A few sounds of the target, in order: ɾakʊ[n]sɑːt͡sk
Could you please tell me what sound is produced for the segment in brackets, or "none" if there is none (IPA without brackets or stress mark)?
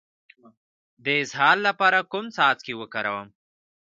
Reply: m